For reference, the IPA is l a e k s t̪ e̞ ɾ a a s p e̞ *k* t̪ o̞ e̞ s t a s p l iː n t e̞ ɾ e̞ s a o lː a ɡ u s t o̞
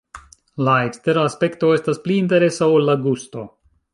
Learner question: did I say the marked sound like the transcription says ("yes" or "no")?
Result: yes